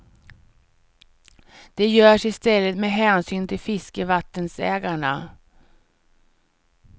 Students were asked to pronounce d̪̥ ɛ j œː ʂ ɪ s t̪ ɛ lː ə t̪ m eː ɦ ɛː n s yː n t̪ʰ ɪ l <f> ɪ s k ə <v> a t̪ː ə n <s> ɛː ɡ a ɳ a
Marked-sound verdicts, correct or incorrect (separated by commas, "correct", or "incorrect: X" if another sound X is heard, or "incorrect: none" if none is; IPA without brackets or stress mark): correct, correct, correct